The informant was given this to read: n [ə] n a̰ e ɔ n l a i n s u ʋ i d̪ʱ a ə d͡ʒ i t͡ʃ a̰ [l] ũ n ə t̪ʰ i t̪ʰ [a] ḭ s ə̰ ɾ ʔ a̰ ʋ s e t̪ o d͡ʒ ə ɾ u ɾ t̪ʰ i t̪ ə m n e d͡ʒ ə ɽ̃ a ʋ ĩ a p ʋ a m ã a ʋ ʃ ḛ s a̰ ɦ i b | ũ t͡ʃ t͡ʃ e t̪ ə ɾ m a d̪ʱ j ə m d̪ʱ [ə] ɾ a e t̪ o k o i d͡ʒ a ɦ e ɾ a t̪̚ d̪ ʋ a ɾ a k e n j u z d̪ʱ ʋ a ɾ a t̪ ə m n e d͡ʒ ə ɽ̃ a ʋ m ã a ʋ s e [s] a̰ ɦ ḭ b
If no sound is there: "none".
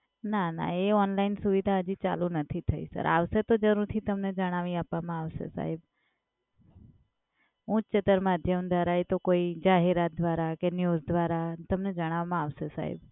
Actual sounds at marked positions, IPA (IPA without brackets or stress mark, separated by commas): a, l, ə, a, s